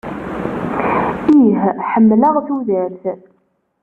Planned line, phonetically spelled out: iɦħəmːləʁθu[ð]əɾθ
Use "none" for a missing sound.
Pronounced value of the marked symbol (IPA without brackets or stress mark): ð